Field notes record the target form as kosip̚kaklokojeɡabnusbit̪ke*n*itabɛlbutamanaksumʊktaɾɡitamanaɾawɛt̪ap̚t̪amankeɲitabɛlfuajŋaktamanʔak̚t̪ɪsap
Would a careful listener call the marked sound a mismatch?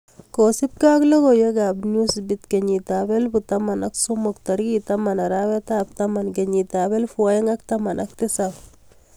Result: yes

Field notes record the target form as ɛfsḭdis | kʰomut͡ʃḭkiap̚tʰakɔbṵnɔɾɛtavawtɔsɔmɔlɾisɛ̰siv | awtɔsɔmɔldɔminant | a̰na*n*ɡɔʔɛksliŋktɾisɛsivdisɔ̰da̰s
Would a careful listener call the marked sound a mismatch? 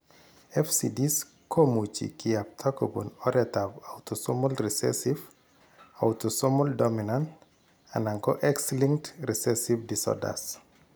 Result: yes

